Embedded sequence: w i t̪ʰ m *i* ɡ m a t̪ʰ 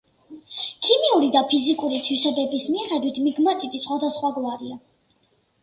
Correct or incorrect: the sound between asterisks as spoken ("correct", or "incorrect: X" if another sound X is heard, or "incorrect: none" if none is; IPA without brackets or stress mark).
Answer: correct